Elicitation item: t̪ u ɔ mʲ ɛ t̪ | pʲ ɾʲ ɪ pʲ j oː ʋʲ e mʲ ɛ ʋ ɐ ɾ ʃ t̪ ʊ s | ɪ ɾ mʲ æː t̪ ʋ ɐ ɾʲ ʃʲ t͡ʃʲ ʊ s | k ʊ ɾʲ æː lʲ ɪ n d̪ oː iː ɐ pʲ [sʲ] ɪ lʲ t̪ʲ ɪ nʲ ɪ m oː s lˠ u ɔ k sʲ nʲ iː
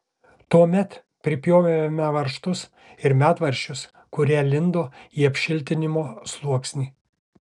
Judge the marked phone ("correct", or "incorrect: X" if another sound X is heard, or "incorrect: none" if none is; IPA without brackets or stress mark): incorrect: ʃʲ